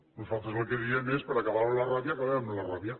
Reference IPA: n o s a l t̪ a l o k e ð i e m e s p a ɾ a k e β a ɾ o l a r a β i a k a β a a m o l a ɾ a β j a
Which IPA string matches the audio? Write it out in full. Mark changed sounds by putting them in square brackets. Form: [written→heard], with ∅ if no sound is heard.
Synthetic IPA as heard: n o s a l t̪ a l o k e ð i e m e s p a ɾ a k [e→a] β a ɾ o l a r a β [i→j] a k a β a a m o l a [ɾ→r] a β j a